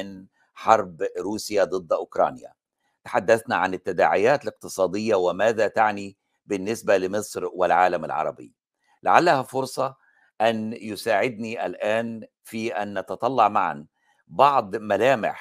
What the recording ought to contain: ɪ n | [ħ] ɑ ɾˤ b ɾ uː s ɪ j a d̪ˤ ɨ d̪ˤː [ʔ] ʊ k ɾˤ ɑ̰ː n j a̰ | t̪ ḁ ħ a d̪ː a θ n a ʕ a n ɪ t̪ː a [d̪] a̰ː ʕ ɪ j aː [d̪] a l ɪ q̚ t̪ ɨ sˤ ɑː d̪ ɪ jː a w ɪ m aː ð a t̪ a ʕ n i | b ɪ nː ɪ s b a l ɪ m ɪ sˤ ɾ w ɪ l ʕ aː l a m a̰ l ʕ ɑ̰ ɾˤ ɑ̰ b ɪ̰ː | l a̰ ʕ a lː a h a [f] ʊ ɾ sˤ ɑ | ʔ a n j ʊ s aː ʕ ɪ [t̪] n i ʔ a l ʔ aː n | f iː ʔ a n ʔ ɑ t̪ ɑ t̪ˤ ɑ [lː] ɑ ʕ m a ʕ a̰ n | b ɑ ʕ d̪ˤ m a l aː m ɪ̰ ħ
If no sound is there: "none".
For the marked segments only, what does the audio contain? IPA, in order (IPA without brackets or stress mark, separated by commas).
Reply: ħ, ʔ, d̪, t̪, f, d̪, lː